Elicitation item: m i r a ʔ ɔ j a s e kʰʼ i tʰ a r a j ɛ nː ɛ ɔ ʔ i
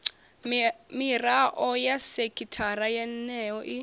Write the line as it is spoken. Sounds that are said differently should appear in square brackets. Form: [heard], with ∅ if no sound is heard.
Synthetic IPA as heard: m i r a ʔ ɔ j a s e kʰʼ i tʰ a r a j ɛ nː ɛ ɔ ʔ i